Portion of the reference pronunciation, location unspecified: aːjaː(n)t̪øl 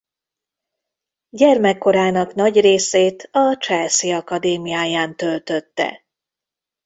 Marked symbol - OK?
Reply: yes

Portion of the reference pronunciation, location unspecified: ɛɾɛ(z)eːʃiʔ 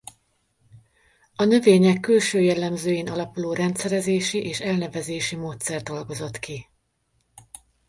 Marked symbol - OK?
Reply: yes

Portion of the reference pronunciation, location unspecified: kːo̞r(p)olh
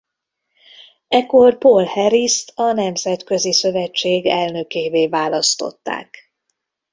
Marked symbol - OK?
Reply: yes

